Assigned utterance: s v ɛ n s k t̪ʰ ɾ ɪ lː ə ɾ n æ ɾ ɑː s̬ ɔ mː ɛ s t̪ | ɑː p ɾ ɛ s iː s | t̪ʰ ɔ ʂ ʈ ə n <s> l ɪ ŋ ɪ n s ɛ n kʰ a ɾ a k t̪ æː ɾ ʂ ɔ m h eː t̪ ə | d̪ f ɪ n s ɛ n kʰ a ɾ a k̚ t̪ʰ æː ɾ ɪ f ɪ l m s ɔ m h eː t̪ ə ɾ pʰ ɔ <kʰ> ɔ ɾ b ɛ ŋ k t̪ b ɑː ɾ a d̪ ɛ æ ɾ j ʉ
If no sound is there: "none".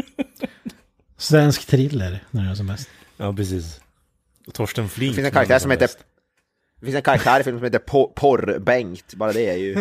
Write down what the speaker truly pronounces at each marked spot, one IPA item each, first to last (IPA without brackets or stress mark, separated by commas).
f, pʰ